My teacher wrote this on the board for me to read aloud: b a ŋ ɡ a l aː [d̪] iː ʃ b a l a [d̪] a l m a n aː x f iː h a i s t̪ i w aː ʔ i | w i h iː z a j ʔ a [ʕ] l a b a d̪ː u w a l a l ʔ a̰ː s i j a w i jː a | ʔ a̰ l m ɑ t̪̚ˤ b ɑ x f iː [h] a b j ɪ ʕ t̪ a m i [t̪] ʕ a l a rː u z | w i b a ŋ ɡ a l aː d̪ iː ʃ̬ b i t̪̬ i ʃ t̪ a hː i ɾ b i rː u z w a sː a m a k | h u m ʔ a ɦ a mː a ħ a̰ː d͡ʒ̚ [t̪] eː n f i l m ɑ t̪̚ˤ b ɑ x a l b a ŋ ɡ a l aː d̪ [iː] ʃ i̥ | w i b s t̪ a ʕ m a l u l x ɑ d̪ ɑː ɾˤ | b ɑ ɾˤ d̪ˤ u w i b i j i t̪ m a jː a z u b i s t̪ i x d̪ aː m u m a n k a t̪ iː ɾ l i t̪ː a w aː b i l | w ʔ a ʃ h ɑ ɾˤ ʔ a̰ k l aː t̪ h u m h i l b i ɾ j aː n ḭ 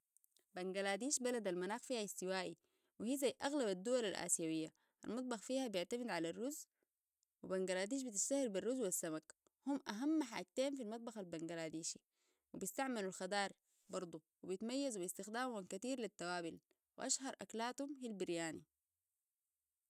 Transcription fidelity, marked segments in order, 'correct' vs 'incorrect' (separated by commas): correct, correct, incorrect, correct, incorrect, correct, correct